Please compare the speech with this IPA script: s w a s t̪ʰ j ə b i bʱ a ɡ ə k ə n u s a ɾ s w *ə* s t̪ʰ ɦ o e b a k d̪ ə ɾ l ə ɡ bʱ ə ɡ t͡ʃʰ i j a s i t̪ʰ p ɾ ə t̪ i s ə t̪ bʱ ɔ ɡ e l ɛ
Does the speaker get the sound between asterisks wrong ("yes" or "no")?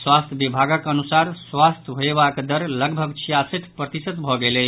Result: yes